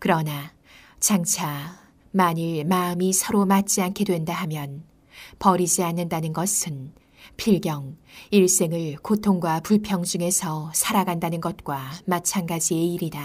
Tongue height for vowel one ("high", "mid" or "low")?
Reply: high